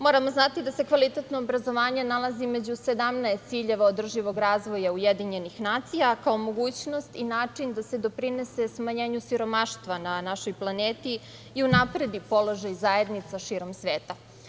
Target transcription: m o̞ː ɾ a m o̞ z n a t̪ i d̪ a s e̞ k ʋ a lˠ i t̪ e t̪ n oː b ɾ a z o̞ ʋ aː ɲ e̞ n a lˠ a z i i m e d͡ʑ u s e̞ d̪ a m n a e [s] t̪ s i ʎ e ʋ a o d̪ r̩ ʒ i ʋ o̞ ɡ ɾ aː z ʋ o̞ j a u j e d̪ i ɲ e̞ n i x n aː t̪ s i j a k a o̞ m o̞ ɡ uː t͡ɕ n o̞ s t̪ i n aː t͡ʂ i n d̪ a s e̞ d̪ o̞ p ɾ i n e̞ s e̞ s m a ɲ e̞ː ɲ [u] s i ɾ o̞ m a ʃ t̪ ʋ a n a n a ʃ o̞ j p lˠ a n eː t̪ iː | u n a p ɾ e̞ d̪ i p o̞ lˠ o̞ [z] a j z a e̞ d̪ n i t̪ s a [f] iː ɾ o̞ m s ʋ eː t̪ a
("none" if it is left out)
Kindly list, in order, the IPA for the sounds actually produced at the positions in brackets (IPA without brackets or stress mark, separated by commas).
s, u, ʒ, ʃ